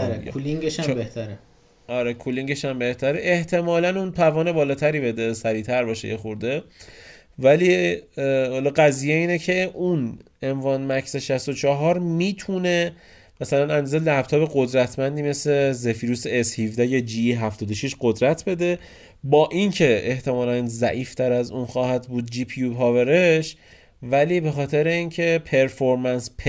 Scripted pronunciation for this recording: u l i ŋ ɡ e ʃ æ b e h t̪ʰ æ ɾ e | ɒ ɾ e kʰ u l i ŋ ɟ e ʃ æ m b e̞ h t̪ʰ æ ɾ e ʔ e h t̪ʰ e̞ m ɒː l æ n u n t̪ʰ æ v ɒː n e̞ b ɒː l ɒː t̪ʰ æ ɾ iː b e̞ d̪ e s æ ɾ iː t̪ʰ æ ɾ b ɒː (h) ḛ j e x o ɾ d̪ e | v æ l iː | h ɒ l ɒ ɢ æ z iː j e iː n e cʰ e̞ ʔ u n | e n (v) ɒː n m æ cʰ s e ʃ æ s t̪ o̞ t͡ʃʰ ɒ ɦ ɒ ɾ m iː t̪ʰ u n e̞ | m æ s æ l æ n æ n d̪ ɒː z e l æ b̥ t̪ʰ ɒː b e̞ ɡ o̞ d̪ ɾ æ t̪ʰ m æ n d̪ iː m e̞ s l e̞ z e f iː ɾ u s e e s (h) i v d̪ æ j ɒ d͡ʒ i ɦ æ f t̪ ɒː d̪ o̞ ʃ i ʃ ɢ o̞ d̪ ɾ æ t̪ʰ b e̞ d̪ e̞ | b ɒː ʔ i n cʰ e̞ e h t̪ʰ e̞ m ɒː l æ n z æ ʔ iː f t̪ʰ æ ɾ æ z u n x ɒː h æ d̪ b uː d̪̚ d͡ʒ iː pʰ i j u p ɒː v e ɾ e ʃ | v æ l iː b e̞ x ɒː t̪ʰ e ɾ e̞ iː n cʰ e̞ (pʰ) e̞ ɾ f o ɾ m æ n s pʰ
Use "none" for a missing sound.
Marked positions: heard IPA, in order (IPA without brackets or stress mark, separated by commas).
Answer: ʃ, v, h, pʰ